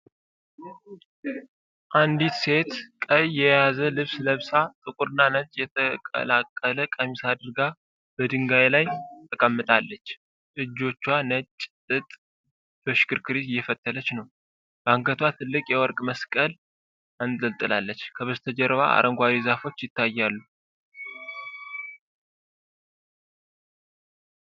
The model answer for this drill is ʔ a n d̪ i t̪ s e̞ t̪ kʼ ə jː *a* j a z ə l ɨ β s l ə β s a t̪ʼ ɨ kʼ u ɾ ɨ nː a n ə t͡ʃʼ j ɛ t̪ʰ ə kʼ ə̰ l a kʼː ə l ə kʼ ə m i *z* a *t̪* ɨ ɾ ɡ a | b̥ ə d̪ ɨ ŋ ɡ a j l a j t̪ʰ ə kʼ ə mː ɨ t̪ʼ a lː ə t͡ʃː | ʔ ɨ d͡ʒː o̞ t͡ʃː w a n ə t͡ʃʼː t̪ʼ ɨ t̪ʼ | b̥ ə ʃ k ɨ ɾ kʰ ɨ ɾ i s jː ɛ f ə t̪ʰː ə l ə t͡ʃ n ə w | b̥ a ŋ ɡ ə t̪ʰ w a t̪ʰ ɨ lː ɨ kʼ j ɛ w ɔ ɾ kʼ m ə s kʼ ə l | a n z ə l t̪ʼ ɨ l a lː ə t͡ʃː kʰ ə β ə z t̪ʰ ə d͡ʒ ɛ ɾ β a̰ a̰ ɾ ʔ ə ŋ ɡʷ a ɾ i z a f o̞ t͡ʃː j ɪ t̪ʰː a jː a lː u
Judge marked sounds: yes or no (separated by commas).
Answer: no, no, no